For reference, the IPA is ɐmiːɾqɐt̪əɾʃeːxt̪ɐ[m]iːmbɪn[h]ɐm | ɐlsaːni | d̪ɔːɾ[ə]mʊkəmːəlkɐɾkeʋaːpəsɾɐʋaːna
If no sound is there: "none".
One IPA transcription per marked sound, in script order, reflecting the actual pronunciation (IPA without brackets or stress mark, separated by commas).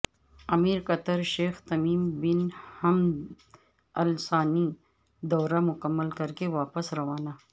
m, h, a